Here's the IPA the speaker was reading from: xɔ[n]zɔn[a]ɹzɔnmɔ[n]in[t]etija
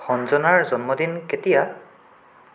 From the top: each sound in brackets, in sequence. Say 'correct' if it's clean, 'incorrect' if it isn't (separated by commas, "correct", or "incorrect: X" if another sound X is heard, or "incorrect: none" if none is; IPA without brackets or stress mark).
correct, correct, incorrect: d, incorrect: k